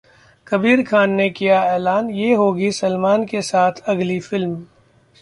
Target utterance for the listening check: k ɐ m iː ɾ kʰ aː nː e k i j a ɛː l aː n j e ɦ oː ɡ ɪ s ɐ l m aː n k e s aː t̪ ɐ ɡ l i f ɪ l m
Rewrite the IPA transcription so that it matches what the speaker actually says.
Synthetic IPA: k ɐ b iː ɾ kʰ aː nː e k i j a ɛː l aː n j e ɦ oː ɡ i s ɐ l m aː n k e s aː t̪ʰ ɐ ɡ l i f ɪ l m